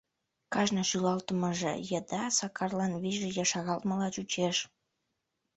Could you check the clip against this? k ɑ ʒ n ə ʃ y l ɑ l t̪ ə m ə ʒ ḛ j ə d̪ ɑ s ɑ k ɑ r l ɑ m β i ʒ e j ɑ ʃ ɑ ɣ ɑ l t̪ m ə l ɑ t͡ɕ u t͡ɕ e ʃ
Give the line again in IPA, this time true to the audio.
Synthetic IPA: k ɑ ʒ n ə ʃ y l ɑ l t̪ ə m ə ʒ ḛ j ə d̪ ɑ s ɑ k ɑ r l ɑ n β i ʒ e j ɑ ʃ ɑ ɣ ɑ l t̪ m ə l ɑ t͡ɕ u t͡ɕ e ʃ